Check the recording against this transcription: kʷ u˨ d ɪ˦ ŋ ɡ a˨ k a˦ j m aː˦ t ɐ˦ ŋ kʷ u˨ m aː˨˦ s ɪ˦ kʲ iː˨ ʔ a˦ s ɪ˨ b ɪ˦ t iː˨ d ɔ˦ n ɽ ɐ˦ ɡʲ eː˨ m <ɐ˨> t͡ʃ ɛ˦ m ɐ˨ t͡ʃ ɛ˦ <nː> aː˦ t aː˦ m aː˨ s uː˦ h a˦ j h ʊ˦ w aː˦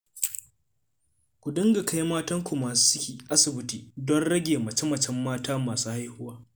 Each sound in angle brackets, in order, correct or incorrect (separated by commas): correct, incorrect